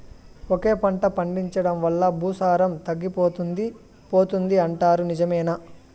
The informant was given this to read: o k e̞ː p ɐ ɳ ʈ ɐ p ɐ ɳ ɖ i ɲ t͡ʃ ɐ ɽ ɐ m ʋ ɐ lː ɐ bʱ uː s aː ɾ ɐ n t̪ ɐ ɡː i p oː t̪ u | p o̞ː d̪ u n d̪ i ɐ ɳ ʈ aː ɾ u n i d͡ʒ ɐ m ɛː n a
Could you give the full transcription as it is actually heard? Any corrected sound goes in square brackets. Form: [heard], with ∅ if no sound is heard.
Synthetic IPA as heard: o k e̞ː p ɐ ɳ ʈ ɐ p ɐ ɳ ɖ i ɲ t͡ʃ ɐ ɽ ɐ m ʋ ɐ lː ɐ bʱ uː s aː ɾ ɐ [m] t̪ ɐ ɡː i p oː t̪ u | p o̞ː [t̪] u n d̪ i ɐ ɳ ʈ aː ɾ u n i d͡ʒ ɐ m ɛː n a